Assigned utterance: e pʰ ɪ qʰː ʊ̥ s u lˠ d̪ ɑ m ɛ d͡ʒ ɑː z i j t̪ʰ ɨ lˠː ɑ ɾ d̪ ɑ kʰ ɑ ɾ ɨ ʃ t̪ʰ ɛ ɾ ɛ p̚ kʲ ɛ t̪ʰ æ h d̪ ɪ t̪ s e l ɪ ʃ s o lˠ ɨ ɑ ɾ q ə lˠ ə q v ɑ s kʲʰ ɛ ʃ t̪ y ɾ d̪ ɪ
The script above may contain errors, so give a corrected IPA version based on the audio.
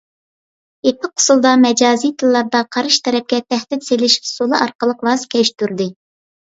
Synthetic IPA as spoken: e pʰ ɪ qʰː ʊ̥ s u lˠ d̪ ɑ m ɛ d͡ʒ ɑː z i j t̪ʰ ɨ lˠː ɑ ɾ d̪ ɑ qʰ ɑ ɾ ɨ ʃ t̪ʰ ɛ ɾ ɛ p̚ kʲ ɛ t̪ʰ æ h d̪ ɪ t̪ s e l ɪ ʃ s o lˠ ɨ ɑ ɾ q ə lˠ ə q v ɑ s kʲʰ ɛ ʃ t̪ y ɾ d̪ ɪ